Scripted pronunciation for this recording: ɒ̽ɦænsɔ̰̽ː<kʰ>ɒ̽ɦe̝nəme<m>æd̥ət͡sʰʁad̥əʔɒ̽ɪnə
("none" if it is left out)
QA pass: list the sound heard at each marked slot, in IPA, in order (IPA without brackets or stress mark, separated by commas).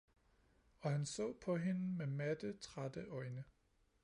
pʰ, m